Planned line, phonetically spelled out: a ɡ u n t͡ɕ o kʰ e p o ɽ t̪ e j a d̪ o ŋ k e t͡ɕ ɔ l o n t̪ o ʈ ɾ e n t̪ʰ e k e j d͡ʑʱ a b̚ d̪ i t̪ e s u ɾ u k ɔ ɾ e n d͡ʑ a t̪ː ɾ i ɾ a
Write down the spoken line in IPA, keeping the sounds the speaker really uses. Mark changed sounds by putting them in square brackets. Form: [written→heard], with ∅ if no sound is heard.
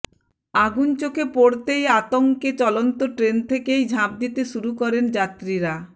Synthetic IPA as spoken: a ɡ u n t͡ɕ o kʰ e p o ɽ t̪ e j a [d̪→t̪] o ŋ k e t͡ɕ ɔ l o n t̪ o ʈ ɾ e n t̪ʰ e k e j d͡ʑʱ a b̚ d̪ i t̪ e [s→ʃ] u ɾ u k ɔ ɾ e n d͡ʑ a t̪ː ɾ i ɾ a